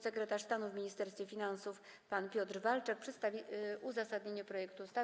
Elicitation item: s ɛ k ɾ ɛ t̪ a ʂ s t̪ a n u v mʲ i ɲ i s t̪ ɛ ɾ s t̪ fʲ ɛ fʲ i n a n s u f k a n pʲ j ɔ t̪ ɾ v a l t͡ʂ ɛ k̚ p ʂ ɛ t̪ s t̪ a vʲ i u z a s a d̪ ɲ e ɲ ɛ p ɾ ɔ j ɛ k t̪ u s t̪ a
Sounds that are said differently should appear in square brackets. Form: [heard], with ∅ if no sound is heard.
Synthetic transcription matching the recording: s ɛ k ɾ ɛ t̪ a ʂ s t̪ a n u v mʲ i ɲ i s t̪ ɛ ɾ s t̪ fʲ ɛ fʲ i n a n s u f [p] a n pʲ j ɔ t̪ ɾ v a l t͡ʂ ɛ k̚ p ʂ ɛ t̪ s t̪ a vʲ i u z a s a d̪ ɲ e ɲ ɛ p ɾ ɔ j ɛ k t̪ u s t̪ a